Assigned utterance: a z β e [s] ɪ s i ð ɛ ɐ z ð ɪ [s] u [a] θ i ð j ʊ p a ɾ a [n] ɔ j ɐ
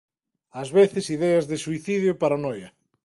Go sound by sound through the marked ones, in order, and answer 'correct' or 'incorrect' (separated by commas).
incorrect, correct, incorrect, correct